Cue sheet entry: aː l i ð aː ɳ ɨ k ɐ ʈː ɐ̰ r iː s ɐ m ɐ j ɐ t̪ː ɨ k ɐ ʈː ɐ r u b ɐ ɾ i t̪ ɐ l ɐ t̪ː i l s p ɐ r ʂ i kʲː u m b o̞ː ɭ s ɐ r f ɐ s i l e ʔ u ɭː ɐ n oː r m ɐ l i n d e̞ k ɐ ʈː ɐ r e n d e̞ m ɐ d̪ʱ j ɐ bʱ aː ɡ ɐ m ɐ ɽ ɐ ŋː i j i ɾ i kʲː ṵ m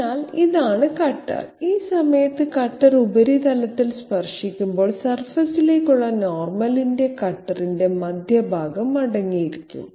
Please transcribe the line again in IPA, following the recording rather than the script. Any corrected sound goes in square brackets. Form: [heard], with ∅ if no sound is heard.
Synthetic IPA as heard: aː l i ð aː ɳ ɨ k ɐ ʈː ɐ̰ r iː s ɐ m ɐ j ɐ t̪ː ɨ k ɐ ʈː ɐ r u b ɐ ɾ i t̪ ɐ l ɐ t̪ː i l s p ɐ r ʂ i kʲː u m b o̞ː ɭ s ɐ r f ɐ s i l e [k] u ɭː ɐ n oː r m ɐ l i n d e̞ k ɐ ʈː ɐ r [i] n d e̞ m ɐ d̪ʱ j ɐ bʱ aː ɡ ɐ m ɐ ɽ ɐ ŋː i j i ɾ i kʲː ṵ m